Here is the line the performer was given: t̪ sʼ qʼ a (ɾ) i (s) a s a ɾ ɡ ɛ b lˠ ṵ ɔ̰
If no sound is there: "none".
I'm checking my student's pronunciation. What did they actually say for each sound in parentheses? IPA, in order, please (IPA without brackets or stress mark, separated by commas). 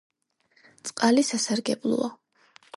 l, s